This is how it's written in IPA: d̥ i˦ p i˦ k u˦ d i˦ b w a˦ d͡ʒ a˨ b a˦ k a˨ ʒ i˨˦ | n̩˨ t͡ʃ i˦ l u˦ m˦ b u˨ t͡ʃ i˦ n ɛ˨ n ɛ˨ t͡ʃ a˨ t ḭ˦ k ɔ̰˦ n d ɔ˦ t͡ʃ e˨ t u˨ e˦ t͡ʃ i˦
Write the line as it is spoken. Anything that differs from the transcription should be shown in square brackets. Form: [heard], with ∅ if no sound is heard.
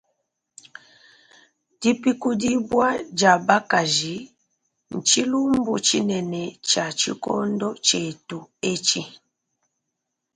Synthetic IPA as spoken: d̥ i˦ p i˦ k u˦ d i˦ b w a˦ d͡ʒ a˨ b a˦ k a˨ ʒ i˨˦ | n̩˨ t͡ʃ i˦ l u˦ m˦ b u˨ t͡ʃ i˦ n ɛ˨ n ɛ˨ t͡ʃ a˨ [t͡ʃ] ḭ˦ k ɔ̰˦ n d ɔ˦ t͡ʃ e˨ t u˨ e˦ t͡ʃ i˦